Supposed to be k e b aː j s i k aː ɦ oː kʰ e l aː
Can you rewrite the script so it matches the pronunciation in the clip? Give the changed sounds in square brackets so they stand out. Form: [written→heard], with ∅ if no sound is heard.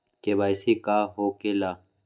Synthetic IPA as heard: k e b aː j s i k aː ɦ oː [kʰ→k] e l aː